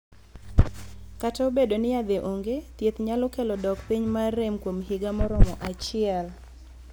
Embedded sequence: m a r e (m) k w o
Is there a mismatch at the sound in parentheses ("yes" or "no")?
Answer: no